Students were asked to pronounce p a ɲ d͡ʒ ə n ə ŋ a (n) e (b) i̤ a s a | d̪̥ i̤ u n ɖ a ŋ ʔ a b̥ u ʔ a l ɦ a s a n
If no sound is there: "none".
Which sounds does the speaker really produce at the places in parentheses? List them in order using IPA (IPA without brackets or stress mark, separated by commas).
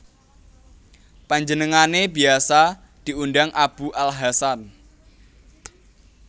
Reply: n, b